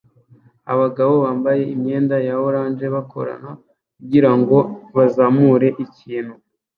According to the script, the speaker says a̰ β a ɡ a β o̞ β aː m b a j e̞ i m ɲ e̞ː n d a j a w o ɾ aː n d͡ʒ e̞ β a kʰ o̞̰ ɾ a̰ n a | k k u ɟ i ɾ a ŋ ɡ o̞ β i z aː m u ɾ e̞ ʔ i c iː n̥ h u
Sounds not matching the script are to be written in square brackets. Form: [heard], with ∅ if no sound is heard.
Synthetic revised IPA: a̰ β a ɡ a β o̞ β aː m b a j e̞ i m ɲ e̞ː n d a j a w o ɾ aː n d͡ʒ e̞ β a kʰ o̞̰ ɾ a̰ n a | k k u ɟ i ɾ a ŋ ɡ o̞ β [a] z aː m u ɾ e̞ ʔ i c iː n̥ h u